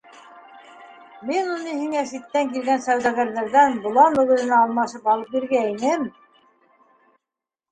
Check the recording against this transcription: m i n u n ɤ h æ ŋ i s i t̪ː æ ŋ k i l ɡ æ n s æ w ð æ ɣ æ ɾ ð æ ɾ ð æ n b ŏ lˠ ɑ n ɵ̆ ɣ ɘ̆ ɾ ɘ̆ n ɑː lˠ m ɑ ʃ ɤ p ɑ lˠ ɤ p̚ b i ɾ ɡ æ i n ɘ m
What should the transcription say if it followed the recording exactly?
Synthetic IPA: m i n u n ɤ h i ŋ æ s i t̪ː æ ŋ k i l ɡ æ n s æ w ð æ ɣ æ ɾ ð æ ɾ ð æ n b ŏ lˠ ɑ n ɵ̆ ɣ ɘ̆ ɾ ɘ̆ n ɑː lˠ m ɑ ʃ ɤ p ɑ lˠ ɤ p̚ b i ɾ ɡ æ i n ɘ m